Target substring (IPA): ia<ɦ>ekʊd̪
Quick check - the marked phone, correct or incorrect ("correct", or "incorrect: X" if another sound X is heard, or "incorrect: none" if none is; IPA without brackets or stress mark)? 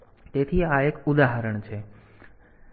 incorrect: none